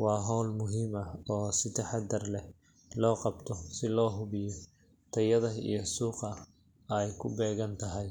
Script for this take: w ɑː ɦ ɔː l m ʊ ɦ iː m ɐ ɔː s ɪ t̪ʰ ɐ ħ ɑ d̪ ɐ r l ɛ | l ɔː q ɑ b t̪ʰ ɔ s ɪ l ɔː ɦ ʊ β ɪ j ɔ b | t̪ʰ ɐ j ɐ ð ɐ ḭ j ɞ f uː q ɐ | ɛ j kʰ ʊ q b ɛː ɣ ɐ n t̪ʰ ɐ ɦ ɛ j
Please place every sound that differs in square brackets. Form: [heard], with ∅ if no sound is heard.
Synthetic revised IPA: w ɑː ɦ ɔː l m ʊ ɦ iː m ɐ ɔː s ɪ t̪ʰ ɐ ħ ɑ d̪ ɐ r l ɛ | l ɔː q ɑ b t̪ʰ ɔ s ɪ l ɔː ɦ ʊ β ɪ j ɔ [∅] | t̪ʰ ɐ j ɐ ð ɐ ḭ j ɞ [s] uː q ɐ | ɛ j kʰ ʊ [∅] b ɛː ɣ ɐ n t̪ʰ ɐ ɦ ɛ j